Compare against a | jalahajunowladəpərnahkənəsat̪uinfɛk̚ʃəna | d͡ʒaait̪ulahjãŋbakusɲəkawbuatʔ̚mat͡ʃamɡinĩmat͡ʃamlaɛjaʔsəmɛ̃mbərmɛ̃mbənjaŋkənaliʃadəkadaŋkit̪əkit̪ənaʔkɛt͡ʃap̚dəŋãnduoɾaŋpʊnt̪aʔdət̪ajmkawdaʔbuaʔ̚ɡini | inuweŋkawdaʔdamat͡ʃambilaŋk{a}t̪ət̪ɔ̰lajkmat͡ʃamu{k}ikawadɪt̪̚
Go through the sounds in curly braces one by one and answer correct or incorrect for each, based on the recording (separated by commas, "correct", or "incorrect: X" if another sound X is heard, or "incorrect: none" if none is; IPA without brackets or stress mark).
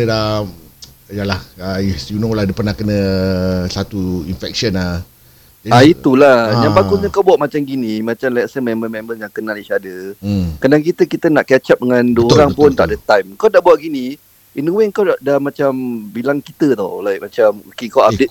incorrect: i, correct